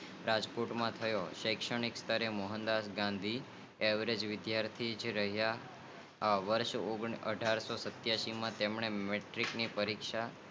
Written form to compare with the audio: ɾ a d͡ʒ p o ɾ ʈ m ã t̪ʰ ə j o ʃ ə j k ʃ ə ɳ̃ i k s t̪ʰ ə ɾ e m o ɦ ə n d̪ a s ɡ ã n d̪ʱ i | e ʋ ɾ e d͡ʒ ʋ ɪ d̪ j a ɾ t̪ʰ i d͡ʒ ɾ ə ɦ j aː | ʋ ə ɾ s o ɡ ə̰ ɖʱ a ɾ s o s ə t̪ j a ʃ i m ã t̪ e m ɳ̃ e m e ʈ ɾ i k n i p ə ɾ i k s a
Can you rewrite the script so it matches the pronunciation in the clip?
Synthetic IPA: ɾ a d͡ʒ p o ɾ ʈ m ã t̪ʰ ə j o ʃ ə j k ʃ ə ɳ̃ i k s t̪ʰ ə ɾ e m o ɦ ə n d̪ a s ɡ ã n d̪ʱ i | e ʋ ɾ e d͡ʒ ʋ ɪ d̪ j a ɾ t̪ʰ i d͡ʒ ɾ ə ɦ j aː | ʋ ə ɾ ʃ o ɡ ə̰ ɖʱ a ɾ s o s ə t̪ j a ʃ i m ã t̪ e m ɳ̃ e m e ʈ ɾ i k n i p ə ɾ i k ʃ a